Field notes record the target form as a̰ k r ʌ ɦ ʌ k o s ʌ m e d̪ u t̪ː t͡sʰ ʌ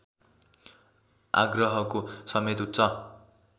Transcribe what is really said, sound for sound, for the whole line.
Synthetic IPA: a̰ ɡ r ʌ ɦ ʌ k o s ʌ m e t̪ u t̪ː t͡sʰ ʌ